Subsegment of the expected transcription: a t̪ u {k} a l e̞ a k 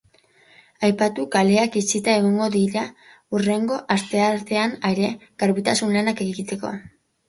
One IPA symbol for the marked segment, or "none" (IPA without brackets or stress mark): k